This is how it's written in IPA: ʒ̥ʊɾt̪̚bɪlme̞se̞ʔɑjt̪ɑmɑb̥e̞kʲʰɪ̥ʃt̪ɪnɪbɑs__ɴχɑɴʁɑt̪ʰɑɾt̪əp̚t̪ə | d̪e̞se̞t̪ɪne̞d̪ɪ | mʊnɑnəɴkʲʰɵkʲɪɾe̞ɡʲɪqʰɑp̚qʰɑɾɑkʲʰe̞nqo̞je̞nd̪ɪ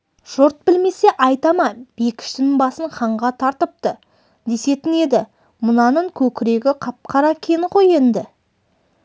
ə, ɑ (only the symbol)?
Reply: ə